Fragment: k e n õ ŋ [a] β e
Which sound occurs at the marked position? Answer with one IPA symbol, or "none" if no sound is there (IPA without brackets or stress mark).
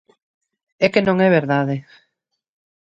ɛ